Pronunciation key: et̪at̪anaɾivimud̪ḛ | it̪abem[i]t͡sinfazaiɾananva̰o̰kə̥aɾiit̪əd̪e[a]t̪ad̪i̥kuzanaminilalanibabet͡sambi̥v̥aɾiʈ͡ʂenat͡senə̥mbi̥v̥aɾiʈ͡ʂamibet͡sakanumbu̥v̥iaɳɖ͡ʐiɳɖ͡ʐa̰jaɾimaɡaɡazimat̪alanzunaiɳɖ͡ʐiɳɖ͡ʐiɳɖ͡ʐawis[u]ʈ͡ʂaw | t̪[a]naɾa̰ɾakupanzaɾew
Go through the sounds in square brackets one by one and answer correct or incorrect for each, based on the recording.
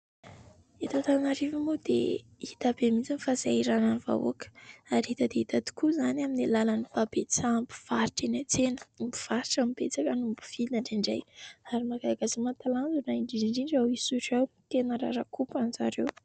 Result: correct, incorrect: i, correct, incorrect: e

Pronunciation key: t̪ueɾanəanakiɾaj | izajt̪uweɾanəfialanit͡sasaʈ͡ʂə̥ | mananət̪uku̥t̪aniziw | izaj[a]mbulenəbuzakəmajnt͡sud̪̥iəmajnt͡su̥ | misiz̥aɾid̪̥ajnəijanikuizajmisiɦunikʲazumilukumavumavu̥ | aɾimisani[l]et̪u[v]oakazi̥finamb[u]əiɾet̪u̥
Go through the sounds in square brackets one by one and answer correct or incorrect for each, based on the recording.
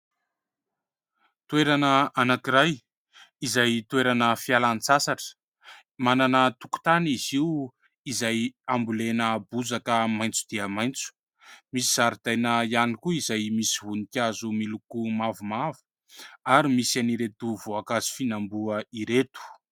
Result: correct, incorrect: ɾ, correct, correct

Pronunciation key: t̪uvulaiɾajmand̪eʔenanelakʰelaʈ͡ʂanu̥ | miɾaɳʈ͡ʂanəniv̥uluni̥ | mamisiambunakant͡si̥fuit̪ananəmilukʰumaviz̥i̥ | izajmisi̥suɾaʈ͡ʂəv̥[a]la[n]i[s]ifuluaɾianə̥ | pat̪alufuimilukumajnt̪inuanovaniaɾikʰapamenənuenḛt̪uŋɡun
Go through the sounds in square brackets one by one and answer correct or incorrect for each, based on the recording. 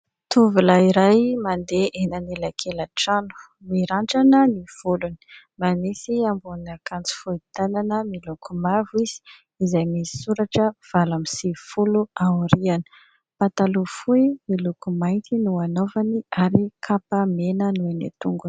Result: correct, incorrect: m, correct

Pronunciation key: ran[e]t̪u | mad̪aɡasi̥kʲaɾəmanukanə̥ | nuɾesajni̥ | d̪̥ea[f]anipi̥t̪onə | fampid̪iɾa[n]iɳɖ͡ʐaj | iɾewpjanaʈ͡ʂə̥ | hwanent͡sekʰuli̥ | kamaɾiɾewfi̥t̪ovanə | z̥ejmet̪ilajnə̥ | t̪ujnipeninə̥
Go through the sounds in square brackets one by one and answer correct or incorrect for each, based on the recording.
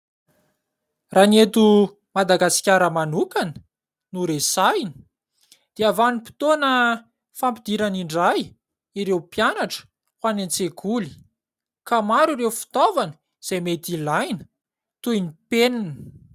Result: correct, incorrect: v, correct

